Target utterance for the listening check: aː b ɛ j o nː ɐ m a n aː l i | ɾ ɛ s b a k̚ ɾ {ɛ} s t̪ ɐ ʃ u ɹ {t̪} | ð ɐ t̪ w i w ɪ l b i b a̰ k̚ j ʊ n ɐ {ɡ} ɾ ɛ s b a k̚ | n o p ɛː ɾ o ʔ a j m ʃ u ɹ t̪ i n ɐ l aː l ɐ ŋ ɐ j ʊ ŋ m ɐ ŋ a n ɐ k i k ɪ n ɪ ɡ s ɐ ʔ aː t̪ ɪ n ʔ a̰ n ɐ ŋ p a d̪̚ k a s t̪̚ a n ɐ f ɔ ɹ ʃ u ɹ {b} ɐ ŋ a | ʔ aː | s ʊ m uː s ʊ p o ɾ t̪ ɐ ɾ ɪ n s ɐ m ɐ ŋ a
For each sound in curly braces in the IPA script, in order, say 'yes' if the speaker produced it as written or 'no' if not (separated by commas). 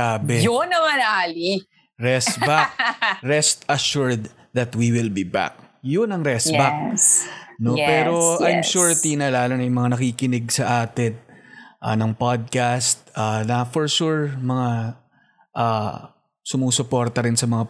yes, no, no, no